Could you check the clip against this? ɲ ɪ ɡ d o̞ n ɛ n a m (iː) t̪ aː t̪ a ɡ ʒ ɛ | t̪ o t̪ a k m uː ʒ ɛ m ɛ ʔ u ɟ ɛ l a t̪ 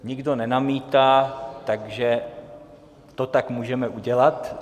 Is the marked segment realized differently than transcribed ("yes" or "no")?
no